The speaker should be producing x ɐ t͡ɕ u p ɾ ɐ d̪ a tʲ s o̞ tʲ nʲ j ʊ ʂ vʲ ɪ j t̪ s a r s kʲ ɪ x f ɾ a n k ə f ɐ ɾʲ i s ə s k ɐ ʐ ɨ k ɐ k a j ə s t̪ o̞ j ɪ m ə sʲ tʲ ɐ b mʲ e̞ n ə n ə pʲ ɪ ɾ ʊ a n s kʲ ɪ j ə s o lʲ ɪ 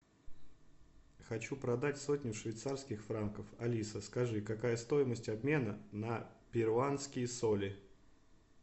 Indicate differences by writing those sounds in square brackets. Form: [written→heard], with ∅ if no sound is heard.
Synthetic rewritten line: x ɐ t͡ɕ u p ɾ ɐ d̪ a tʲ s o̞ tʲ nʲ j ʊ ʂ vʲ ɪ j t̪ s a r s kʲ ɪ x f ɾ a n k ə f ɐ [ɾʲ→lʲ] i s ə s k ɐ ʐ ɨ k ɐ k a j ə s t̪ o̞ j ɪ m ə sʲ tʲ ɐ b mʲ e̞ n ə n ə pʲ ɪ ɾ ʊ a n s kʲ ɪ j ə s o lʲ ɪ